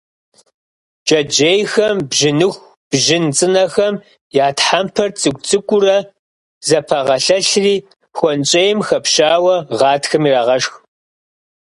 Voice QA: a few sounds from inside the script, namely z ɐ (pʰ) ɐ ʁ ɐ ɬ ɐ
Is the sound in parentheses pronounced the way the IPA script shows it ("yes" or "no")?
yes